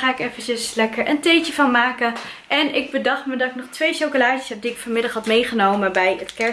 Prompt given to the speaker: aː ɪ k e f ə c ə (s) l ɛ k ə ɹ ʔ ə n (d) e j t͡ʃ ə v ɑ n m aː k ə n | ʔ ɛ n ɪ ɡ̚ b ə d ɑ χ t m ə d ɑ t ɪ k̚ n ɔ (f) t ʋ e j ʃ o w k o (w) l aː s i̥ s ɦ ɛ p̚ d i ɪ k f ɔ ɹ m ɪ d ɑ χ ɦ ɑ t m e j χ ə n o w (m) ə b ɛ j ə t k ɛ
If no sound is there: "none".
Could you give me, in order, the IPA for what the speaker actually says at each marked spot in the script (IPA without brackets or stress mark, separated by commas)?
s, t, χ, none, m